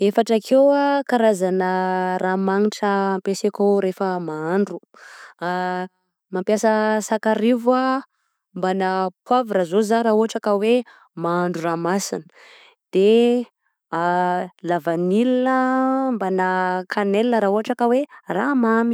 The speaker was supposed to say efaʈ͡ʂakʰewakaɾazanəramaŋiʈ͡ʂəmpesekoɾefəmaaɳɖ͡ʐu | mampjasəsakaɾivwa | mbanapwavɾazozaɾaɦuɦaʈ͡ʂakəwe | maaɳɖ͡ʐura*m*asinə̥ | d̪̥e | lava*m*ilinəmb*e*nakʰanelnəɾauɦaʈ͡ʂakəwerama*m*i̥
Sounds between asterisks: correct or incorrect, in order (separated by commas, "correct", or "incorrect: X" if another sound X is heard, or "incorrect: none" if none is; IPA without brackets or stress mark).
correct, incorrect: n, incorrect: a, correct